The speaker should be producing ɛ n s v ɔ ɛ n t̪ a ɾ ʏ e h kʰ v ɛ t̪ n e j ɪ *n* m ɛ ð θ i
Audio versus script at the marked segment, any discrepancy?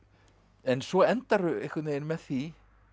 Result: no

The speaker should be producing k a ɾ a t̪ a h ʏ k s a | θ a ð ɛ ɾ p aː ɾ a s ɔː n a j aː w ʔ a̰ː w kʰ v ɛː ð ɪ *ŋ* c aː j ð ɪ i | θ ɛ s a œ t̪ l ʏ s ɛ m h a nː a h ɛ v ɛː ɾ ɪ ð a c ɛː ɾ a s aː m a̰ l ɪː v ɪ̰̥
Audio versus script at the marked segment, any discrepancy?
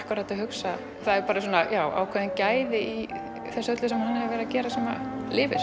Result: yes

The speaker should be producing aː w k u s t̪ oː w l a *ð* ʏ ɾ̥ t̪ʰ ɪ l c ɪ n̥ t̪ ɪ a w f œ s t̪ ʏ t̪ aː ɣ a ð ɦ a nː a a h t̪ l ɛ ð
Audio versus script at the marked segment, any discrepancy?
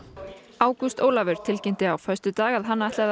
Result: yes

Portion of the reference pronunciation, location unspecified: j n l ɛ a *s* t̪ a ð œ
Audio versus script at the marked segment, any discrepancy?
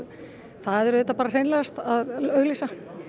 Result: no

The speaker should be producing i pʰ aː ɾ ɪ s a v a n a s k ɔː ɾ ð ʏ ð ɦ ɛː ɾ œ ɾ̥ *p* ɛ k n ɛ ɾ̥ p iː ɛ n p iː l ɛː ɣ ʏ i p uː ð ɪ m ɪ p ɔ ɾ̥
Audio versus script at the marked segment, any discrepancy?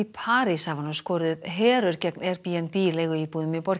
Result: yes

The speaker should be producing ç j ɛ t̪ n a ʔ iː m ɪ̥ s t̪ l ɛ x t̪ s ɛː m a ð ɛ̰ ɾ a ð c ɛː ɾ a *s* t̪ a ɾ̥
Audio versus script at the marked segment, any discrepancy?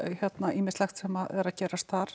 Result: no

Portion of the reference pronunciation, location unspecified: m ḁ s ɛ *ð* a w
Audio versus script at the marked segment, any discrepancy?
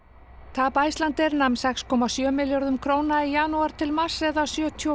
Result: no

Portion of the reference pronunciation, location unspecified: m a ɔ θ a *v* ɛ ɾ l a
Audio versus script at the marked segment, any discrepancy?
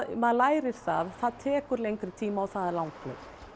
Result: yes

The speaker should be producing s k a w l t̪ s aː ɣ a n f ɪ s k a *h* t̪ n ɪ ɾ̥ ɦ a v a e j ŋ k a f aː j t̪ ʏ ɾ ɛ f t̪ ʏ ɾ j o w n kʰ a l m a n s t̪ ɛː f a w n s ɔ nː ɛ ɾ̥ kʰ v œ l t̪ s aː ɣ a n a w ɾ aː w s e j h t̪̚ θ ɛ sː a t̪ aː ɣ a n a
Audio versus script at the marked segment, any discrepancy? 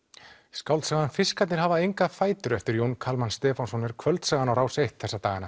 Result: yes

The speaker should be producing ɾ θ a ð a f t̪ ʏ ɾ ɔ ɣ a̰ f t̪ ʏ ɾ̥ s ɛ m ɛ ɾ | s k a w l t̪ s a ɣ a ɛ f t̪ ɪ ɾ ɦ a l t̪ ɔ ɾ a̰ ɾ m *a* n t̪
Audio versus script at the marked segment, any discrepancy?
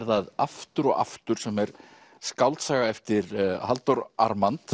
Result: no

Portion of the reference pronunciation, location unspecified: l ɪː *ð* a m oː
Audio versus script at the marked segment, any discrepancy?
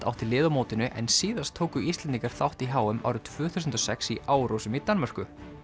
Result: no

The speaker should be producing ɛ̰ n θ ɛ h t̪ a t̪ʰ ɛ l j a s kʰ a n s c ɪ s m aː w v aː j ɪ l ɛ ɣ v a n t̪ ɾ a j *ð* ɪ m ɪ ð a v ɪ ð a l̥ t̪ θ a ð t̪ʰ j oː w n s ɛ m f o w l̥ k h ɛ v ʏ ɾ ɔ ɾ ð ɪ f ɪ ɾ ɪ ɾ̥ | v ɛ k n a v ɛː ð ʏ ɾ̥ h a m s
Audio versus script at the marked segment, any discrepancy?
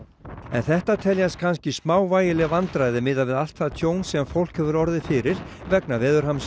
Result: no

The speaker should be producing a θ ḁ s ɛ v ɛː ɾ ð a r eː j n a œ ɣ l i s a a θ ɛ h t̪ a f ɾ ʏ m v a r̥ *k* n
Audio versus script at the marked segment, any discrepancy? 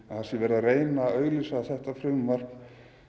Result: no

